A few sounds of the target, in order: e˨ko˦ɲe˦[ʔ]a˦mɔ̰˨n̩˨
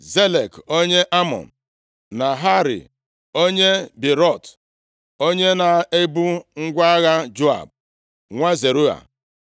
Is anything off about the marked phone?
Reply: no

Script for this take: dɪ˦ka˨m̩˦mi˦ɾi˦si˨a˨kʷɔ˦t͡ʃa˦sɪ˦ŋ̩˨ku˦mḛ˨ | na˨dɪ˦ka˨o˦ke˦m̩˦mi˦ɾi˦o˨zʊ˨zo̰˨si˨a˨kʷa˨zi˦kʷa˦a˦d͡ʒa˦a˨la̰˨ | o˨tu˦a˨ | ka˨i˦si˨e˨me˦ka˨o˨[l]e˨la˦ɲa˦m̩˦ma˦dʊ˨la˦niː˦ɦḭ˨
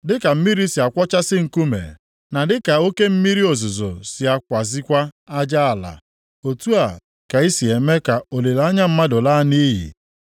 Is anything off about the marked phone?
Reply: no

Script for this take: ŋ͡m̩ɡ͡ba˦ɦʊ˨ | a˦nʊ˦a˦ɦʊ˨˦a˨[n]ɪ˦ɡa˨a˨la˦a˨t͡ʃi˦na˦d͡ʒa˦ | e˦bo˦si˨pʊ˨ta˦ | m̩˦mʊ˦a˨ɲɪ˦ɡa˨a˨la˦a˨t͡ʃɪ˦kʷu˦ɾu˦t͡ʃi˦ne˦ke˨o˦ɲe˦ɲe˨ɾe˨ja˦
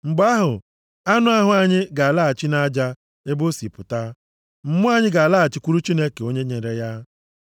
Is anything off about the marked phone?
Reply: yes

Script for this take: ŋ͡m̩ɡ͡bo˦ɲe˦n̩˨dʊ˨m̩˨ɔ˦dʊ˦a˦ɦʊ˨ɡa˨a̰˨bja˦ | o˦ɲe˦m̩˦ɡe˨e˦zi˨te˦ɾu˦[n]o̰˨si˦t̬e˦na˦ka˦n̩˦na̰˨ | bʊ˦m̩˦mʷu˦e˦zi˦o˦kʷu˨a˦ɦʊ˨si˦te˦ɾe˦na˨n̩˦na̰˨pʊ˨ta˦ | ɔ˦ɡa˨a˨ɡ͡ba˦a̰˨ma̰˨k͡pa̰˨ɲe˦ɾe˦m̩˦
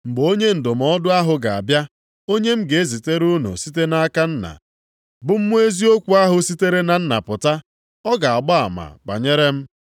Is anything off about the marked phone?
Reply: no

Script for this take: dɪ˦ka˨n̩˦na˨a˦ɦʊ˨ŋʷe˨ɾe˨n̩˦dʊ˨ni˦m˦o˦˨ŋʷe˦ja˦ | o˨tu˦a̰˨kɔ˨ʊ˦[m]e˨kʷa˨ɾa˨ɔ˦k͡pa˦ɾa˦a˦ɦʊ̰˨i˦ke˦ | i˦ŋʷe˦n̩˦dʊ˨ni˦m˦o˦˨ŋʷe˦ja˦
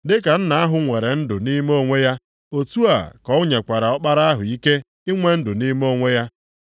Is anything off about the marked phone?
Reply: yes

